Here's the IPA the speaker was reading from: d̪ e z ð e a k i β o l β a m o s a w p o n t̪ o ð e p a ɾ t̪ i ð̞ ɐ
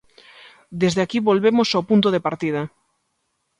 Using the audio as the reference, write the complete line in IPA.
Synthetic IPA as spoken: d̪ e z ð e a k i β o l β e m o s a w p u n t̪ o ð e p a ɾ t̪ i ð̞ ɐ